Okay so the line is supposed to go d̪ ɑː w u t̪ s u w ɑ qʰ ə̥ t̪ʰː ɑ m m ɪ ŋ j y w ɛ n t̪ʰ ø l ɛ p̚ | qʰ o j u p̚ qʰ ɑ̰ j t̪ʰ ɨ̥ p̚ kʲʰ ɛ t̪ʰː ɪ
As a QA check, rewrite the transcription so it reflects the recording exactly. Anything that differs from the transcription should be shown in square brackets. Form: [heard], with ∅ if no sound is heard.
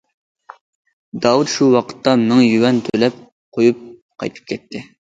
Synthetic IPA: d̪ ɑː w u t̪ [ʃ] u w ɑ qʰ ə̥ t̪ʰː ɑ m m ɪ ŋ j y w ɛ n t̪ʰ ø l ɛ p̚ | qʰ o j u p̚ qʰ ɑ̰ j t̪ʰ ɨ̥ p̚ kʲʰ ɛ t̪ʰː ɪ